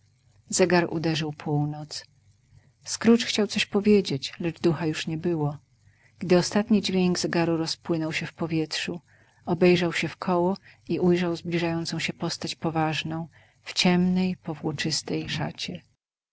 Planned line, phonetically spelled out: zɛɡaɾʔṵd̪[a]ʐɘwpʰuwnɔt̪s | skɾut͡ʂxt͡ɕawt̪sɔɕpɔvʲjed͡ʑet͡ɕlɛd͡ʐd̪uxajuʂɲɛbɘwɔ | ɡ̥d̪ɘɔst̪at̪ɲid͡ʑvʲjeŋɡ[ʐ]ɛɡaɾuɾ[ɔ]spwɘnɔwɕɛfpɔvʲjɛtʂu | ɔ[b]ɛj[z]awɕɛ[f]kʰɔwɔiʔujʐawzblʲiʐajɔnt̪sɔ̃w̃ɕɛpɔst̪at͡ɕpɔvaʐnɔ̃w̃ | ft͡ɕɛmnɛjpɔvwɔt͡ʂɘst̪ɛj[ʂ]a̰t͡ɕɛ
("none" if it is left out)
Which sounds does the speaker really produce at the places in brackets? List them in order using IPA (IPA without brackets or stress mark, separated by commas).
ɛ, z, ɔ, b, ʐ, f, ʂ